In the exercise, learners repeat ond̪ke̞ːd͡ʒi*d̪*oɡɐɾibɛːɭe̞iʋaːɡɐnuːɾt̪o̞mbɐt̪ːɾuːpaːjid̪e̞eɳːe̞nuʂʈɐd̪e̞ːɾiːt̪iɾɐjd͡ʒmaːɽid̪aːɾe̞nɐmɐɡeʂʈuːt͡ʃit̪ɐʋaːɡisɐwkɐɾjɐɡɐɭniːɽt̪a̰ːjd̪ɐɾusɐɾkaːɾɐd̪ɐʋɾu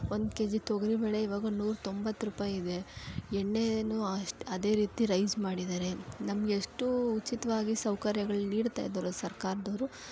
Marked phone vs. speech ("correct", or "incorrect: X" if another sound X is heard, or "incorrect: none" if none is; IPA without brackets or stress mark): incorrect: t̪